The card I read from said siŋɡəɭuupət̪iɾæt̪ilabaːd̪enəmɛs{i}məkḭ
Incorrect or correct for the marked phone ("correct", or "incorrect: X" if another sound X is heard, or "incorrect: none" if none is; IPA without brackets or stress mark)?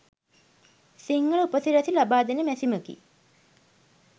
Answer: correct